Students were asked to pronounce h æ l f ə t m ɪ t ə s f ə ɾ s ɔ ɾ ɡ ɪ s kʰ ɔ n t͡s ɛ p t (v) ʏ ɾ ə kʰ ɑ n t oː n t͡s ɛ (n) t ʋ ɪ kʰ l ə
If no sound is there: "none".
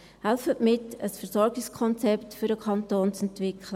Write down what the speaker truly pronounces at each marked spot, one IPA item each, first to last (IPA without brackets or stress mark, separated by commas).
f, n